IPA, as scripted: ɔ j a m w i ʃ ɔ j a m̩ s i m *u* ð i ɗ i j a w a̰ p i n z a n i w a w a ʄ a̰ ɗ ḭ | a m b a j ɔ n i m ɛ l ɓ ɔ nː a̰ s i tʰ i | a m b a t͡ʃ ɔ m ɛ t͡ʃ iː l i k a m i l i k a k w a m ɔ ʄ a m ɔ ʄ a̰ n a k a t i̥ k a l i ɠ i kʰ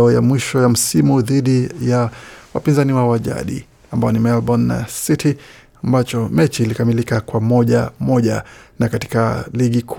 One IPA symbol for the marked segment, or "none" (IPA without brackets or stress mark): u